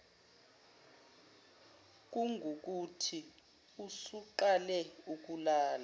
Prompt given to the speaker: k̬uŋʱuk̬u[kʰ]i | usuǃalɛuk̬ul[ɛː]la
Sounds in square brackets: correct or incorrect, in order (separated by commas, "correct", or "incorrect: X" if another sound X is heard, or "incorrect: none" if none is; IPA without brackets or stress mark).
incorrect: tʰ, incorrect: aː